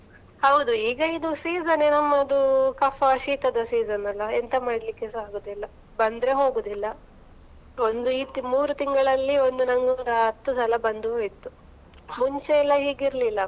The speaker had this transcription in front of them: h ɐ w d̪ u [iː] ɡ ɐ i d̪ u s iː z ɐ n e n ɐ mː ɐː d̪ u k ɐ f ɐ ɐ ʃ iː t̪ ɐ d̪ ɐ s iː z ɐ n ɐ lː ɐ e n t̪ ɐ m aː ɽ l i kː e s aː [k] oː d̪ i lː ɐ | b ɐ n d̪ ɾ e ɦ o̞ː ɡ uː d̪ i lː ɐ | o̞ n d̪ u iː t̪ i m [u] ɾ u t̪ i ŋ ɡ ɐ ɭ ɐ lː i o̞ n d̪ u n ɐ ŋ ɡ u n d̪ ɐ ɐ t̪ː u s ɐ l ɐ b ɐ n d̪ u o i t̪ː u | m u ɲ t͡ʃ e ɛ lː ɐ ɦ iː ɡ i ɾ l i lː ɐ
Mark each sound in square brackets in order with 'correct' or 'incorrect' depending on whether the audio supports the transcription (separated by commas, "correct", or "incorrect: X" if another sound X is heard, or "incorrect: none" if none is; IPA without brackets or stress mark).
correct, incorrect: ɡ, incorrect: uː